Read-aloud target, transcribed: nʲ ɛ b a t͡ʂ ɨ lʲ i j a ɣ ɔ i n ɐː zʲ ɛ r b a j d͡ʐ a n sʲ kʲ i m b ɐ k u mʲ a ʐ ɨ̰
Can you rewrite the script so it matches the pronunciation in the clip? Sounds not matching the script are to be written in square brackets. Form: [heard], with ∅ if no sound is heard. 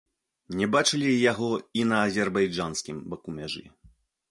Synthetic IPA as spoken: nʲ ɛ b a t͡ʂ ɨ lʲ i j a ɣ ɔ i n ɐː zʲ ɛ r b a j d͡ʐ a n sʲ kʲ i m b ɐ k u mʲ a ʐ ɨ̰